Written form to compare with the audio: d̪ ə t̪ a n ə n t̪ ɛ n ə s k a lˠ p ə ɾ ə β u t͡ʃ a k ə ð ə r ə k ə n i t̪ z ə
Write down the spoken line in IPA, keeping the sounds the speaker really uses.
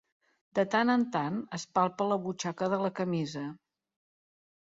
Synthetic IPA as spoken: d̪ ə t̪ a n ə n t̪ a n ə s p a lˠ p ə l ə β u t͡ʃ a k ə ð ə l ə k ə m i z ə